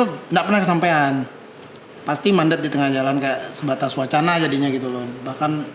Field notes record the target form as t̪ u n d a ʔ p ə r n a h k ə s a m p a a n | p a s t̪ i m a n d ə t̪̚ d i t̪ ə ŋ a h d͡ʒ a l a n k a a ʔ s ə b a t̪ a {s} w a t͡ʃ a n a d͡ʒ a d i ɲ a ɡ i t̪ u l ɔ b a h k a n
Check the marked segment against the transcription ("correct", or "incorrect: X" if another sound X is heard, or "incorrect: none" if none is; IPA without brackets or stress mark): correct